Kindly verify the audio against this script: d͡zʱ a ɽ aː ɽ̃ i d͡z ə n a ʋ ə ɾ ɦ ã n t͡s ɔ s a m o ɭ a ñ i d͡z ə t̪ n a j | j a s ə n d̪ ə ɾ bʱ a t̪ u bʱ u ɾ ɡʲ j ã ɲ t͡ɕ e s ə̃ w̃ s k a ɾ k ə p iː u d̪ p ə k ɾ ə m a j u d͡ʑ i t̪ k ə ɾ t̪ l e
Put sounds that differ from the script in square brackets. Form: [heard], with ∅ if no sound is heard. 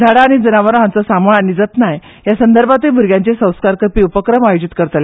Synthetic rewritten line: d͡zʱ a ɽ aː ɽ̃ i d͡z ə n a ʋ ə ɾ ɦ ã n t͡s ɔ s a m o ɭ a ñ i d͡z ə t̪ n a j | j a s ə n d̪ ə ɾ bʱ a t̪ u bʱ u ɾ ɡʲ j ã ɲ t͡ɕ e s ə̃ w̃ s k a ɾ k ə p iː u [∅] p ə k ɾ ə m a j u d͡ʑ i t̪ k ə ɾ t̪ l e

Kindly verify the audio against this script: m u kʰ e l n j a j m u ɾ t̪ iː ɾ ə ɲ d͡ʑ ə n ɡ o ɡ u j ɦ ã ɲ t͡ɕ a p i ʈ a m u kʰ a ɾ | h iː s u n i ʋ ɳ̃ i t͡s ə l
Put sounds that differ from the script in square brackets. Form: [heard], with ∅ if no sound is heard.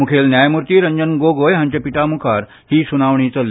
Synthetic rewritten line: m u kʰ e l n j a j m u ɾ t̪ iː ɾ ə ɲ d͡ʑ ə n ɡ o ɡ [o] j ɦ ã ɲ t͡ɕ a p i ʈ a m u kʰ a ɾ | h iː s u n [a] ʋ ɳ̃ i t͡s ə l

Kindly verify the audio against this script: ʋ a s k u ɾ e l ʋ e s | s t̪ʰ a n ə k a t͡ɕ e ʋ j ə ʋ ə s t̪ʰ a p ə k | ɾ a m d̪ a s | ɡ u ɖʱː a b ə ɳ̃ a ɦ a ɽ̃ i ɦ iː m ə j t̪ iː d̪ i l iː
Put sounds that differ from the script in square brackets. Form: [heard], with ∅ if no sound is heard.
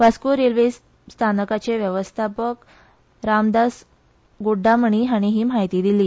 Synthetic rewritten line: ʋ a s k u ɾ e l ʋ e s | s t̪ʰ a n ə k a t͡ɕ e ʋ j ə ʋ ə s t̪ʰ a p ə k | ɾ a m d̪ a s | ɡ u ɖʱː a [m] ə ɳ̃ [i] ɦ a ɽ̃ i ɦ iː m [a] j t̪ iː d̪ i l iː

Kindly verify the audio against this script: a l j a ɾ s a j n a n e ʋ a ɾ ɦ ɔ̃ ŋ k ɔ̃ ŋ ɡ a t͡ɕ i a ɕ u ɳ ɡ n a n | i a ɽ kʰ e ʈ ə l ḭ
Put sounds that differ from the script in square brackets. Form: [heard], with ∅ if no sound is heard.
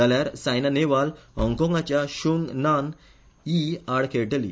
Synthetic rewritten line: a l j a ɾ s a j n a n e ʋ a [l] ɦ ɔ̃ ŋ k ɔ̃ ŋ ɡ a t͡ɕ [j] a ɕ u [ŋ] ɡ n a n | i a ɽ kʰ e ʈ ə l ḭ

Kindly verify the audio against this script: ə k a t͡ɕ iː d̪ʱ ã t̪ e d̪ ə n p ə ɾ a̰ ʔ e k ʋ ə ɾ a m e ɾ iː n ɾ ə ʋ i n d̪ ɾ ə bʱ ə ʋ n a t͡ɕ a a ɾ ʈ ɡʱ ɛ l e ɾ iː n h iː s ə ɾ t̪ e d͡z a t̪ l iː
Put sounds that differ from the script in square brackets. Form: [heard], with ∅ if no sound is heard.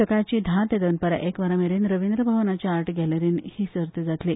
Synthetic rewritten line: ə k a t͡ɕ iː d̪ʱ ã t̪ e d̪ ə n p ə ɾ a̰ ʔ e k ʋ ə ɾ a m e ɾ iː n ɾ ə ʋ i n d̪ ɾ ə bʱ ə ʋ n a t͡ɕ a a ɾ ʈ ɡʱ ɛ l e ɾ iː n h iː s ə ɾ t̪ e d͡z a t̪ l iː

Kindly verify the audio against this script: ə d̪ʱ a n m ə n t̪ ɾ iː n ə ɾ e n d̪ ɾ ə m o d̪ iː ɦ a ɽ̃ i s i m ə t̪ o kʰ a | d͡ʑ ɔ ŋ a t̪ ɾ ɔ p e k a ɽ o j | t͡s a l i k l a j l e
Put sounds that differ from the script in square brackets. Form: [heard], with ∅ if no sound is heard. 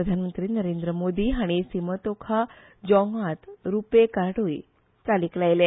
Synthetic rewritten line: ə d̪ʱ a n m ə n t̪ ɾ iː n ə ɾ e n d̪ ɾ ə m o d̪ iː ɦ a ɽ̃ i s i m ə t̪ o kʰ a | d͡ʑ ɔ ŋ a t̪ ɾ [u] p e k a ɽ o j | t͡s a l i k l a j l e

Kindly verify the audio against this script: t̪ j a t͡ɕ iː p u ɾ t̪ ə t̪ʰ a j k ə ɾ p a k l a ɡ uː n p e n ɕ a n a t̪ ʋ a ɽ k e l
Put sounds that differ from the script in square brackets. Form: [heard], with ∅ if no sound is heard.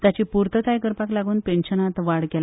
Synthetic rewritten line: t̪ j a t͡ɕ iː p u ɾ t̪ ə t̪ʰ a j k ə ɾ p a k l a ɡ uː n p e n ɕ [ə] n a t̪ ʋ a ɽ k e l

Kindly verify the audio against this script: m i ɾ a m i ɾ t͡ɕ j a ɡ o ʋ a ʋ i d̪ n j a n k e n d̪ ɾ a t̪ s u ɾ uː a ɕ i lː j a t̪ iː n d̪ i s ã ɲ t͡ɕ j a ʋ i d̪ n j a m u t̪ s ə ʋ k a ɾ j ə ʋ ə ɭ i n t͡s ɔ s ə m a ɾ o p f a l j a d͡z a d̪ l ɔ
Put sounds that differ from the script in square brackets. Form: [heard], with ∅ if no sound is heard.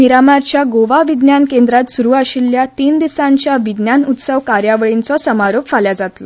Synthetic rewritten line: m i ɾ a m [a] ɾ t͡ɕ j a ɡ o ʋ a ʋ i d̪ n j a n k e n d̪ ɾ a t̪ s u ɾ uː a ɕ i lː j a t̪ iː n d̪ i s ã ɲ t͡ɕ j a ʋ i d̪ n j a [n] u t̪ s ə ʋ k a ɾ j [a] ʋ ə ɭ i n t͡s ɔ s ə m a ɾ o p f a l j a d͡z a [t̪] l ɔ

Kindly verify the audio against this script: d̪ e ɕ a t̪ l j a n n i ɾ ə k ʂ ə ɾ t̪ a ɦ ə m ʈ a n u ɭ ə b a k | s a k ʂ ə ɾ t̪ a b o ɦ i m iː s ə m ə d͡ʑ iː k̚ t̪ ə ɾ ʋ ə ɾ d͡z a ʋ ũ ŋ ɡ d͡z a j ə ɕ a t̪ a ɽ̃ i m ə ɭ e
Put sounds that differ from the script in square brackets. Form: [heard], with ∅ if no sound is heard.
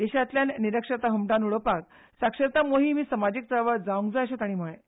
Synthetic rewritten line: d̪ e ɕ a t̪ l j a n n i ɾ ə k ʂ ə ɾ t̪ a ɦ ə m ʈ a n u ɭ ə [p] a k | s a k ʂ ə ɾ t̪ a [m] o ɦ i m iː s ə m [a] d͡ʑ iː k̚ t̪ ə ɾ ʋ ə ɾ d͡z a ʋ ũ ŋ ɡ d͡z a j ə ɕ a t̪ a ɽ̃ i m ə ɭ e

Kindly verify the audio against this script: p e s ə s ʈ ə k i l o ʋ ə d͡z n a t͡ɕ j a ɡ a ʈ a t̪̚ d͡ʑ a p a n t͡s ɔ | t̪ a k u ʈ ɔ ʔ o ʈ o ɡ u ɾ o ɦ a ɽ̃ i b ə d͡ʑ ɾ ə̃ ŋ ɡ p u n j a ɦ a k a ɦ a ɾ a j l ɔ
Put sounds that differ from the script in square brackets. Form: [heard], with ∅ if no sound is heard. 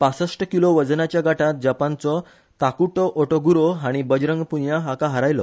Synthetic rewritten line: p [a] s ə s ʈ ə k i l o ʋ ə d͡z n a t͡ɕ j a ɡ a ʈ a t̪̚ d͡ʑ a p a n t͡s ɔ | t̪ a k u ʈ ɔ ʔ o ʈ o ɡ u ɾ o ɦ a ɽ̃ i b ə d͡ʑ ɾ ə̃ ŋ ɡ p u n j a ɦ a k a ɦ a ɾ a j l ɔ

